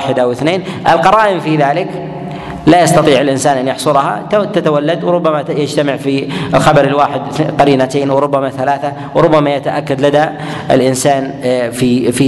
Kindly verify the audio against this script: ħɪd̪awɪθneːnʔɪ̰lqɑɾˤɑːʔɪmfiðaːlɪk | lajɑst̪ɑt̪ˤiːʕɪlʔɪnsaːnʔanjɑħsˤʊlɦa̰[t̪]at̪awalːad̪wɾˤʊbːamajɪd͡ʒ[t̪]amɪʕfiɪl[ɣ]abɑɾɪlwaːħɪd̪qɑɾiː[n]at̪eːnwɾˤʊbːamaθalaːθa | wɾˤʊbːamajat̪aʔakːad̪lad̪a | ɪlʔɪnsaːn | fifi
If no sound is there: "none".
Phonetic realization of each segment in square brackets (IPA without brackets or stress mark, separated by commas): t̪, t̪, x, n